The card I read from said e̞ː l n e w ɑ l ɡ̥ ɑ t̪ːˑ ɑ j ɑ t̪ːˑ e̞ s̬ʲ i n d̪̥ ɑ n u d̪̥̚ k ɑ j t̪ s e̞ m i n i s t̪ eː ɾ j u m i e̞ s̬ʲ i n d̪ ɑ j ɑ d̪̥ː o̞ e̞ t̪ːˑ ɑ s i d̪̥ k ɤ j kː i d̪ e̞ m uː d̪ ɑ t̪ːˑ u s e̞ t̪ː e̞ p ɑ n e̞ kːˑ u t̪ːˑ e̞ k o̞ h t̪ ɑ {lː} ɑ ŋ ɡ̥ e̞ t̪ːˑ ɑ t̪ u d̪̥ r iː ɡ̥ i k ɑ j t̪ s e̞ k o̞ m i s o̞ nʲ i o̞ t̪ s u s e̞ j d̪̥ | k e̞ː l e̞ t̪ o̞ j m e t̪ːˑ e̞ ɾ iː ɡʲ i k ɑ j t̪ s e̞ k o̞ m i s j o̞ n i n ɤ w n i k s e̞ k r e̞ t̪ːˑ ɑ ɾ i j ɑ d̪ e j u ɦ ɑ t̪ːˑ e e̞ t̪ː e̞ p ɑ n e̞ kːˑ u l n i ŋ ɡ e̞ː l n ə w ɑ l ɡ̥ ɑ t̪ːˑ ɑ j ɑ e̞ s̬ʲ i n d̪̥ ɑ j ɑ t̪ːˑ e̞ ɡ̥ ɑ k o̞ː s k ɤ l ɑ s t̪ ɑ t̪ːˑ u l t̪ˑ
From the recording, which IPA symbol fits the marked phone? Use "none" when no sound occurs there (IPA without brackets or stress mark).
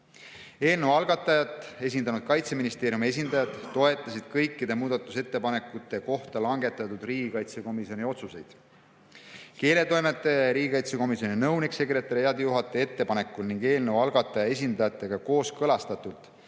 l